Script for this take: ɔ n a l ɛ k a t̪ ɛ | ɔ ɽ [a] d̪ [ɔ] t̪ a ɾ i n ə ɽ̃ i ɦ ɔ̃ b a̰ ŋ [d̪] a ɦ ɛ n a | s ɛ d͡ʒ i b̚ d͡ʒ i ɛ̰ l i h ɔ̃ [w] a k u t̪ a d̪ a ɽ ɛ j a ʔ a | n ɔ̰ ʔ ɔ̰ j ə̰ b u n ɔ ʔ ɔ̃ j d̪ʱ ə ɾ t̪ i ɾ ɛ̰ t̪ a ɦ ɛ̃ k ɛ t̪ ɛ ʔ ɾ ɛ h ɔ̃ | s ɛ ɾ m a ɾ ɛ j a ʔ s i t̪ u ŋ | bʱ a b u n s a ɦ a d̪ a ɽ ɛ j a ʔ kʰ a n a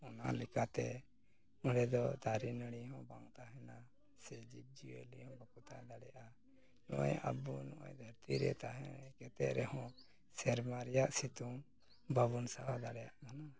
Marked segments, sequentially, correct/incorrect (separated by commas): incorrect, correct, incorrect, incorrect